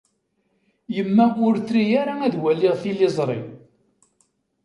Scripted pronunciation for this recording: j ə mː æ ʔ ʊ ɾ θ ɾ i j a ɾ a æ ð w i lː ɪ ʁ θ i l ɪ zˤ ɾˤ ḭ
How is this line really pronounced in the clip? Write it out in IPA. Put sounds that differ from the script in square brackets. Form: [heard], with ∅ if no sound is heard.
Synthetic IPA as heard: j ə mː æ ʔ ʊ ɾ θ ɾ i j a ɾ a æ ð w [æ] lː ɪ ʁ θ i l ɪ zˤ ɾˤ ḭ